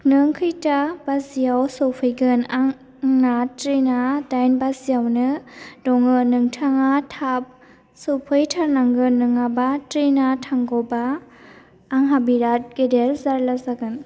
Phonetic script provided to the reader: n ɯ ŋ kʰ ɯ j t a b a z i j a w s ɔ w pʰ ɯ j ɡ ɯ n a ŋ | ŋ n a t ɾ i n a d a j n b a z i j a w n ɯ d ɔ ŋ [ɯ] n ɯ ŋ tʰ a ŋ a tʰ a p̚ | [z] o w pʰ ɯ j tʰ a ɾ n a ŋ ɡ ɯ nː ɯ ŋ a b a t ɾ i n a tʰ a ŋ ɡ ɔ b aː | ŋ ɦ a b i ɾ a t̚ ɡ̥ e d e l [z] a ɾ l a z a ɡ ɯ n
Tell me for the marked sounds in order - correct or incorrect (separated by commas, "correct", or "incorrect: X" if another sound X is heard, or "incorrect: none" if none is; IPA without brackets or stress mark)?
correct, incorrect: s, correct